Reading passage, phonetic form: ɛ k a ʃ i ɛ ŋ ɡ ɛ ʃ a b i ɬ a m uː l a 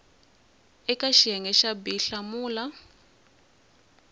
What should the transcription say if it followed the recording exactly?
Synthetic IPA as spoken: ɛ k a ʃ i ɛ ŋ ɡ ɛ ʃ a b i ɬ a m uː l a